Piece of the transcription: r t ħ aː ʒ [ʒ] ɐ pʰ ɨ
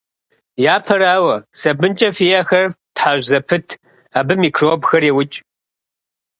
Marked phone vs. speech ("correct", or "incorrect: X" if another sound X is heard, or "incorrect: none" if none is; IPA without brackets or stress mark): incorrect: z